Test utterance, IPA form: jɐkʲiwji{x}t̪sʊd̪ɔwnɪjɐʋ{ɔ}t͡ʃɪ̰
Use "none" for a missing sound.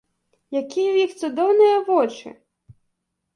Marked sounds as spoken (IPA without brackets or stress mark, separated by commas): x, ɔ